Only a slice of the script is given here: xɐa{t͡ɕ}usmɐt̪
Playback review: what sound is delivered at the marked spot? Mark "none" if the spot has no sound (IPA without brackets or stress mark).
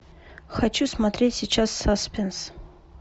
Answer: t͡ɕ